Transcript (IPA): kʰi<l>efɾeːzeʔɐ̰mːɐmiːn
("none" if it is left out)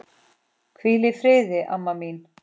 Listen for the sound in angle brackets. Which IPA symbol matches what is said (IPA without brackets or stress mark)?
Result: l